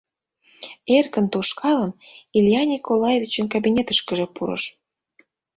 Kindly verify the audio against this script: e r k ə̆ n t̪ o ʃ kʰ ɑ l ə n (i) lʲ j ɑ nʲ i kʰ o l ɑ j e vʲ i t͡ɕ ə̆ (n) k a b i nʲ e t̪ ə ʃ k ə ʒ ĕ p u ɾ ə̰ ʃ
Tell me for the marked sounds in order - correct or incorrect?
correct, correct

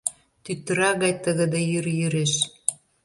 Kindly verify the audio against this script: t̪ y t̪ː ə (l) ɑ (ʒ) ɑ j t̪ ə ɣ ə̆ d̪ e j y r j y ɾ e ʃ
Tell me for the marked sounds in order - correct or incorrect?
incorrect: ɾ, incorrect: ɣ

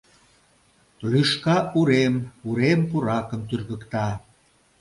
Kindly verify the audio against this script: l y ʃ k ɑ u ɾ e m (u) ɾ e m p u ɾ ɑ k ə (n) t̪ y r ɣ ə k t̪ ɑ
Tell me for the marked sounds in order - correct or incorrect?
correct, incorrect: m

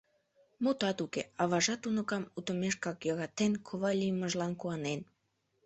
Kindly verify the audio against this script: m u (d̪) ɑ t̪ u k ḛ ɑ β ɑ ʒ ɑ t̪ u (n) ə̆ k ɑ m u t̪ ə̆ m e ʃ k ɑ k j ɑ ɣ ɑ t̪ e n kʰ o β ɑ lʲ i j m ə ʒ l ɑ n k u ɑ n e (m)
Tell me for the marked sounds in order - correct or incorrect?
incorrect: t̪, correct, incorrect: n

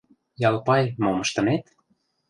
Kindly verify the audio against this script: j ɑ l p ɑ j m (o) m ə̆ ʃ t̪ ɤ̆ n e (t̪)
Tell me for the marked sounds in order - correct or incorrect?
correct, correct

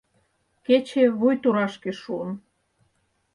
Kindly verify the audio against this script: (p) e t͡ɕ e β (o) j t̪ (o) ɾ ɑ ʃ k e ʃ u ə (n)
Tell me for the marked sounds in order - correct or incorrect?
incorrect: k, incorrect: u, incorrect: u, correct

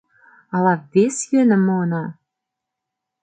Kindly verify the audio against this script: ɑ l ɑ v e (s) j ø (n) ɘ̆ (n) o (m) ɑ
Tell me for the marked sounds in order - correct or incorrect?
correct, correct, incorrect: m, incorrect: n

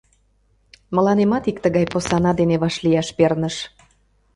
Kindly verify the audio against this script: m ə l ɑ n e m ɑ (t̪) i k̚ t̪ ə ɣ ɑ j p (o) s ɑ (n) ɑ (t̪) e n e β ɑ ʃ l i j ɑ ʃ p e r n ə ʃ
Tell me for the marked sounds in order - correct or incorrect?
correct, correct, correct, incorrect: d̪

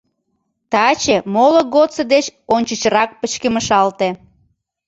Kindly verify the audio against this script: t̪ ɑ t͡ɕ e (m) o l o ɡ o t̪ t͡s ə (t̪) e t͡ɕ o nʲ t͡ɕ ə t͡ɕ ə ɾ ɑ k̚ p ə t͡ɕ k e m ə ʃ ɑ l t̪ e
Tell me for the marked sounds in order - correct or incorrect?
correct, incorrect: d̪

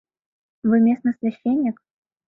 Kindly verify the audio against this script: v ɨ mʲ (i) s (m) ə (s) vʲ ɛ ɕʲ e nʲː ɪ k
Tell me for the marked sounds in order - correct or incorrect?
incorrect: e, incorrect: n, correct

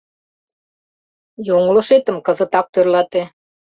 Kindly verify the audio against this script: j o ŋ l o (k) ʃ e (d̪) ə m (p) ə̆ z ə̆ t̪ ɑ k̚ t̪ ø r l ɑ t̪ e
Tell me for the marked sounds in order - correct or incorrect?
incorrect: none, incorrect: t̪, incorrect: k

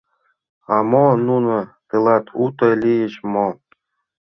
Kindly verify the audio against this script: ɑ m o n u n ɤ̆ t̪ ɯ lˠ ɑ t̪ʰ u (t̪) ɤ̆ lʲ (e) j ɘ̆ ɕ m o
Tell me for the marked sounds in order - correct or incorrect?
correct, incorrect: i

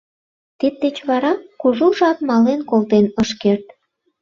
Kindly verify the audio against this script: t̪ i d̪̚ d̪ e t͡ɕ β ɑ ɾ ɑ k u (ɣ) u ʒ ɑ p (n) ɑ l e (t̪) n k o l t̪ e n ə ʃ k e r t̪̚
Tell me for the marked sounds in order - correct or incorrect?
incorrect: ʒ, incorrect: m, incorrect: none

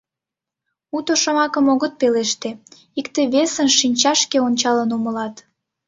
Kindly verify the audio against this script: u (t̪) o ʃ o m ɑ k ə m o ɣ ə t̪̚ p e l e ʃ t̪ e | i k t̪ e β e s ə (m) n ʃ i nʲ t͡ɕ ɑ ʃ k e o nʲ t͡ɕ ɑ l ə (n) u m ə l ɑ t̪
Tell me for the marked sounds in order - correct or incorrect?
correct, incorrect: none, correct

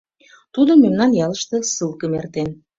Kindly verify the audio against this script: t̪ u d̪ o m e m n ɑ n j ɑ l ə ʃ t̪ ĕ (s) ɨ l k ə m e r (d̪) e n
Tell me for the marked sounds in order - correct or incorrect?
correct, incorrect: t̪

